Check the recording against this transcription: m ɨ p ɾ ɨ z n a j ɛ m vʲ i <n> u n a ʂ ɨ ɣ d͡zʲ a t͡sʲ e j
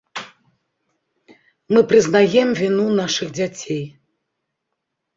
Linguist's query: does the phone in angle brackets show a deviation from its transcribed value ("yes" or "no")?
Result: no